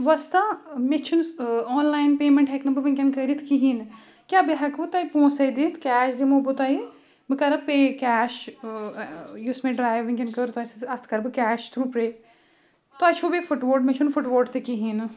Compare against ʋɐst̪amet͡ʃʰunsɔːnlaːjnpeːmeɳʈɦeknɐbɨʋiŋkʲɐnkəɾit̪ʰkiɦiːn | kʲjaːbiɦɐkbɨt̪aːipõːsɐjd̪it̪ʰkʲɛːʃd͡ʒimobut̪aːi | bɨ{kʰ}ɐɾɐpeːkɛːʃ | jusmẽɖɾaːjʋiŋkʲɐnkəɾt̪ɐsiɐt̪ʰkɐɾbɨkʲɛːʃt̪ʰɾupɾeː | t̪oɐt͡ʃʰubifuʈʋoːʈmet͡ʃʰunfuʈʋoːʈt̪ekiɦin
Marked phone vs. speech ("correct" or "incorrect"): incorrect